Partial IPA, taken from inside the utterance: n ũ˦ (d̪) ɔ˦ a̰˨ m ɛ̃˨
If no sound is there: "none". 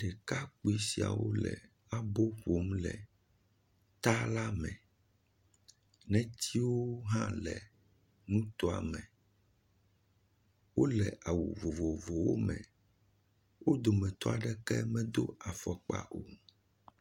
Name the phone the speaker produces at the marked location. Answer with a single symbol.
t̪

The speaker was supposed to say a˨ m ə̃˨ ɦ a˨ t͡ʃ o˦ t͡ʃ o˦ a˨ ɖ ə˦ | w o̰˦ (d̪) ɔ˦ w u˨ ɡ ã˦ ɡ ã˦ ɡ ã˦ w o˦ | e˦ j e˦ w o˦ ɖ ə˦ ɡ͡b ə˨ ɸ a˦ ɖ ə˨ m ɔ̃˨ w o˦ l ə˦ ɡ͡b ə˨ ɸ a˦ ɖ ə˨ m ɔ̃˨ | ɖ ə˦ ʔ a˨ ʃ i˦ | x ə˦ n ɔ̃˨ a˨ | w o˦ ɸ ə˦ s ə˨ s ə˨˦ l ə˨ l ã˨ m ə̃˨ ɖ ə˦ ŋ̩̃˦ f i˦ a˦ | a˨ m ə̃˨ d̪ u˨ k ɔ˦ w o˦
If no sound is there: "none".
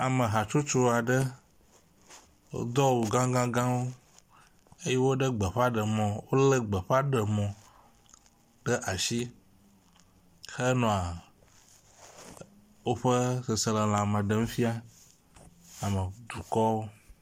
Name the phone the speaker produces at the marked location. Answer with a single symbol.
d̪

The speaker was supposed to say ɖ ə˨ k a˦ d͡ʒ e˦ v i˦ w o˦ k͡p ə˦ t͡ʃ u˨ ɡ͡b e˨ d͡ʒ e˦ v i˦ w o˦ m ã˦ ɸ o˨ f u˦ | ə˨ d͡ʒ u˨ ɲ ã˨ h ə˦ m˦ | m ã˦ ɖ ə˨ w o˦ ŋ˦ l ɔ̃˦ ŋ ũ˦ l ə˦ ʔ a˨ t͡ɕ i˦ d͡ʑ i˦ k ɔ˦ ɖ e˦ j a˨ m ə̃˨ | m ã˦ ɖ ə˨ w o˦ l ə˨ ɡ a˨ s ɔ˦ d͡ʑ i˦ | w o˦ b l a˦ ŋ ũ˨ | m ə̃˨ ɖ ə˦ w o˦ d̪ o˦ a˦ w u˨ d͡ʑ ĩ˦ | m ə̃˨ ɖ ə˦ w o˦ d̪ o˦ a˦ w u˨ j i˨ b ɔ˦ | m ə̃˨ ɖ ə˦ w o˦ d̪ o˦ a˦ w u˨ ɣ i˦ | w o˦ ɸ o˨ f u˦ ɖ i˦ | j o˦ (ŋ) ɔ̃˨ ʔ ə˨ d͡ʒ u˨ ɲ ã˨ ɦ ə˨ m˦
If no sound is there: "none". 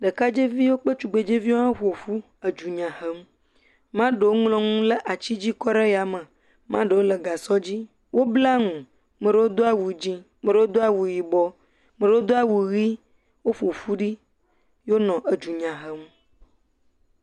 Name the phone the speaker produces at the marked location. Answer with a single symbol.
n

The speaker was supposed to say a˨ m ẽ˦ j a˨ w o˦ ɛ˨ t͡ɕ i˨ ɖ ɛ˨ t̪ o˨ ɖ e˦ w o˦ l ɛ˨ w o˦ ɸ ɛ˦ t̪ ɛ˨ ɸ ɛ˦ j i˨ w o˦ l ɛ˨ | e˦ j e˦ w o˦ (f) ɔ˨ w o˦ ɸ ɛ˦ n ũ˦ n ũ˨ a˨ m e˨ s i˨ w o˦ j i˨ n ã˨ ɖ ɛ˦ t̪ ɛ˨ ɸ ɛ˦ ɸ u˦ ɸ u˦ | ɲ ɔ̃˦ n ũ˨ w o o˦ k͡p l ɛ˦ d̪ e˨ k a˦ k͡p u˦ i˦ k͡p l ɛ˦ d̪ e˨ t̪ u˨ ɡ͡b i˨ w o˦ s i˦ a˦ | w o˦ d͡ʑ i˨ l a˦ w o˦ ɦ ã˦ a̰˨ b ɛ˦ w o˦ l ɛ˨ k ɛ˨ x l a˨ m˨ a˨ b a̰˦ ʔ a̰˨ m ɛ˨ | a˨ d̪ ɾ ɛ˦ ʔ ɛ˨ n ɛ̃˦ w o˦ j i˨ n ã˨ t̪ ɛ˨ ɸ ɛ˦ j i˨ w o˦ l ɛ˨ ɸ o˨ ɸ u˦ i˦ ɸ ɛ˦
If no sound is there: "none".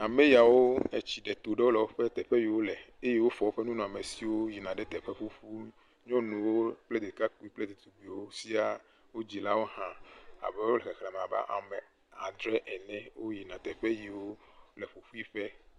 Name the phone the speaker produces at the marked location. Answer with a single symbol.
f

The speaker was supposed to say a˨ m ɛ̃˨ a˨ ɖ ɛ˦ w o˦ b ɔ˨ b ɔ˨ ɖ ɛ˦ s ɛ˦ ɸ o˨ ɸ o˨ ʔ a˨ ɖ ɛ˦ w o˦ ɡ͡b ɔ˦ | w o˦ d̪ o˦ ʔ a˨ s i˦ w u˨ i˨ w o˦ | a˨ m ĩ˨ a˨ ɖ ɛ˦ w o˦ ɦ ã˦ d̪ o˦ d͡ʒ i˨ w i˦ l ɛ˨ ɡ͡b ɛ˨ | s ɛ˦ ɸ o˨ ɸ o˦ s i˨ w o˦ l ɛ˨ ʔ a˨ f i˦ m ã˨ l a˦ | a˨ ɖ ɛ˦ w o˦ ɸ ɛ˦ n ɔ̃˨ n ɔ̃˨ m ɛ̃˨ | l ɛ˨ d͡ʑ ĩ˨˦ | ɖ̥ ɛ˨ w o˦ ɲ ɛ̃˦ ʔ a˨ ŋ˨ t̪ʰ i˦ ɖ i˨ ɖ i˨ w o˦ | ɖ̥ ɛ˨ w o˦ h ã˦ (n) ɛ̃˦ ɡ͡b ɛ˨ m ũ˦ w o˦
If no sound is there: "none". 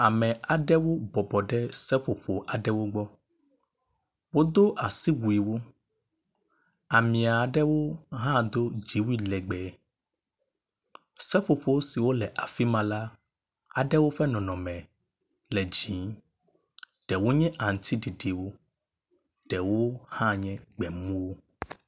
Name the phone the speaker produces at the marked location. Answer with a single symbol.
ɲ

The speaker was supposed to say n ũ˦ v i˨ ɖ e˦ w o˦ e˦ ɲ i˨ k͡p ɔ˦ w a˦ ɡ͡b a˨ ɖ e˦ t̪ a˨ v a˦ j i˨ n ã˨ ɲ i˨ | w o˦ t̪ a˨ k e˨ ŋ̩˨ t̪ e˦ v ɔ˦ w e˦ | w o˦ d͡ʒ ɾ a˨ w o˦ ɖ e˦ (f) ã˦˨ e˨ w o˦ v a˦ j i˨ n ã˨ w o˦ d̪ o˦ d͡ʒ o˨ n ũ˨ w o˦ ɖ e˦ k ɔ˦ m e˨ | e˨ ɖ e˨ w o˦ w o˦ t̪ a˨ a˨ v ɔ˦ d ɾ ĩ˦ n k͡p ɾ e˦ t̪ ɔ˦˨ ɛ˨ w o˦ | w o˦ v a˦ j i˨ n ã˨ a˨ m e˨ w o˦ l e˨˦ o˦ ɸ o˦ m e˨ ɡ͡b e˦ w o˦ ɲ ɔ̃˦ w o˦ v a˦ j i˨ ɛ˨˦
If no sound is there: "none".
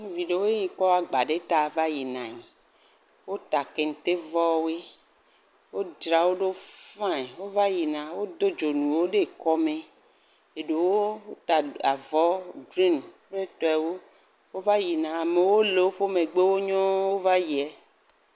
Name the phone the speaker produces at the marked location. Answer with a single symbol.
f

